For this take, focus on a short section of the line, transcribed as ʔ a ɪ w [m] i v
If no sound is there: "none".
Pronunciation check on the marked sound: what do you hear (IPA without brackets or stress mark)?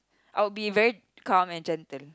b